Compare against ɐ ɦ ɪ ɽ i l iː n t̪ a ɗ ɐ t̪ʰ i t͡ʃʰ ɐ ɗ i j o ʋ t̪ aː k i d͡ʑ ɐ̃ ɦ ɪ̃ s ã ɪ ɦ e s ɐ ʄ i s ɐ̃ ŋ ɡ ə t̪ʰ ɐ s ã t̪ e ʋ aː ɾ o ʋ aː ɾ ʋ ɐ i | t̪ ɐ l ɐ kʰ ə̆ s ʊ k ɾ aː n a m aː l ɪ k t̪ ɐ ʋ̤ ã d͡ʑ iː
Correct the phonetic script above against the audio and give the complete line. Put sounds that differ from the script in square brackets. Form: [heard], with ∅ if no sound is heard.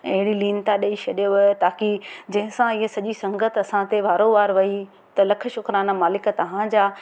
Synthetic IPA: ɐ ɦ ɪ ɽ i l iː n t̪ a ɗ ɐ [∅] i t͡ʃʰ ɐ ɗ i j o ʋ t̪ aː k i d͡ʑ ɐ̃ ɦ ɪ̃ s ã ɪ ɦ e s ɐ ʄ i s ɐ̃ ŋ ɡ ə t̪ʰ ɐ s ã t̪ e ʋ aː ɾ o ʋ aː ɾ ʋ ɐ i | t̪ ɐ l ɐ kʰ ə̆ [ʃ] ʊ k ɾ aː n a m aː l ɪ k t̪ ɐ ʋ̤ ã d͡ʑ [aː]